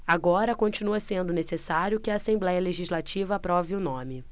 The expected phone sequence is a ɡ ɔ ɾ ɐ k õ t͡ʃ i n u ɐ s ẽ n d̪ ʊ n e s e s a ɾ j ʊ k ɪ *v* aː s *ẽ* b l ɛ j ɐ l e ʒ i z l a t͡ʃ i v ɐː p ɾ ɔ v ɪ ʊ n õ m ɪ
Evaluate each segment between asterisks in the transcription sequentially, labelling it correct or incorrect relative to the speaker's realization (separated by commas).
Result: incorrect, correct